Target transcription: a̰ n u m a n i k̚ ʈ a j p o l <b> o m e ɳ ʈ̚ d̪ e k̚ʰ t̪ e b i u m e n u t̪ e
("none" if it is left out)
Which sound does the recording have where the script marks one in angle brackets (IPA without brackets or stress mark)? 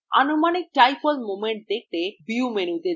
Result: m